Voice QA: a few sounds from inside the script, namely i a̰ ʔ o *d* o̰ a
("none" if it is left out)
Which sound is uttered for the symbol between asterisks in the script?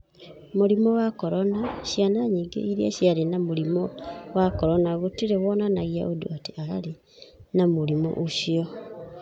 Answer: d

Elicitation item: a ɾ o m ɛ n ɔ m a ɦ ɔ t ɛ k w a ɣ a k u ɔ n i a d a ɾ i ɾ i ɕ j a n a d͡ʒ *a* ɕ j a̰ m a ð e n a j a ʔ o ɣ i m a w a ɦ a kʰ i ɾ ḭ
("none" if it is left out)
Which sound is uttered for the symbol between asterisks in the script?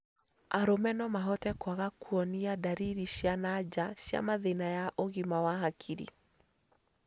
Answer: a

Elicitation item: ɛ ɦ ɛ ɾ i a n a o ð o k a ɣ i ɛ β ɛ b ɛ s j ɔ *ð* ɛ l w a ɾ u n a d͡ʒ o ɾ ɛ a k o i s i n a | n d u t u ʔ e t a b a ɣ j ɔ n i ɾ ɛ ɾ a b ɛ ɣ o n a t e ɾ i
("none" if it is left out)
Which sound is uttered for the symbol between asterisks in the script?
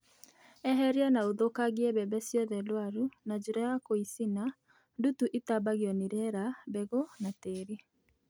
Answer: ð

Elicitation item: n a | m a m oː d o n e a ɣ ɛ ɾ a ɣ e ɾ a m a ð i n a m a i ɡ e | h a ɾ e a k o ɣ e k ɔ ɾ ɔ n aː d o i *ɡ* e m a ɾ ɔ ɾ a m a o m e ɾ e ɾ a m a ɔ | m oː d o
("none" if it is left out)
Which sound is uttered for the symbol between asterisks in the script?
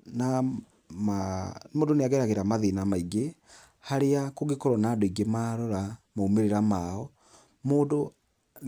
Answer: ɡ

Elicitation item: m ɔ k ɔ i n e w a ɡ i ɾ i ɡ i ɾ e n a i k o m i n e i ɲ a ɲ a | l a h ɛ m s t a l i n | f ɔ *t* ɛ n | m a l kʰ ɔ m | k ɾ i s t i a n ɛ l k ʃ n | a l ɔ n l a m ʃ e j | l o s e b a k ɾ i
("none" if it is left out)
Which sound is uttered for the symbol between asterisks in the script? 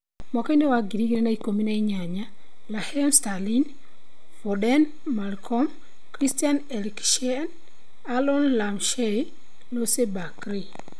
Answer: d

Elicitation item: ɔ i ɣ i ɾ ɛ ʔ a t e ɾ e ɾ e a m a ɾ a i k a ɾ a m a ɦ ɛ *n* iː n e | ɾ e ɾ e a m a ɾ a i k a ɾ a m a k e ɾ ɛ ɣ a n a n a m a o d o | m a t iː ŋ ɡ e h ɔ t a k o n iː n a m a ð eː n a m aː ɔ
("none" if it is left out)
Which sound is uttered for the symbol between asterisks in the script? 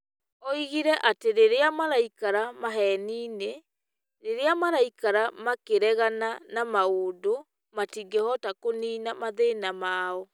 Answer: n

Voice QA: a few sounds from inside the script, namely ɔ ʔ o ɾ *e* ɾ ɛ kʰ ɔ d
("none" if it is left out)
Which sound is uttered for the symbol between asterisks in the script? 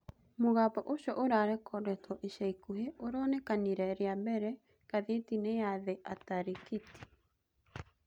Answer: a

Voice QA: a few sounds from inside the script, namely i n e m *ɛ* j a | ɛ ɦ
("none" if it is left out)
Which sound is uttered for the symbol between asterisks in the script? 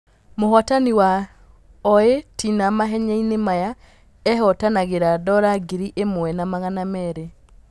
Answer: a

